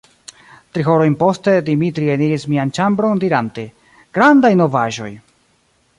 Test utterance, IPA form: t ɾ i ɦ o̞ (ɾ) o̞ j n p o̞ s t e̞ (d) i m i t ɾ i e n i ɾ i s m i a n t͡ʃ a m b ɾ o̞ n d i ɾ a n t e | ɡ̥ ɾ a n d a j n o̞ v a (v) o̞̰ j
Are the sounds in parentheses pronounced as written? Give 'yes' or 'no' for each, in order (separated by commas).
yes, yes, no